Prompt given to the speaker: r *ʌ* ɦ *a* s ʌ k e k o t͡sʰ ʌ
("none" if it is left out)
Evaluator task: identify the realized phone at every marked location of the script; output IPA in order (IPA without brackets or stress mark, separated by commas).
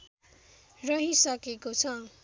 ʌ, i